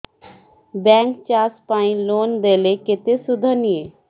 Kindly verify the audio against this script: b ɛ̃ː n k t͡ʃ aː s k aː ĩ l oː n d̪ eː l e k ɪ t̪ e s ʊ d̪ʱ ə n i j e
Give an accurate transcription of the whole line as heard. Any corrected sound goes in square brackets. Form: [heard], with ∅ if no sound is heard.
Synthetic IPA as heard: b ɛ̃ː [ŋ] k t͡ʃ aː s [p] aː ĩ l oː n d̪ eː l e k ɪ t̪ e s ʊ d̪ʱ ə n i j e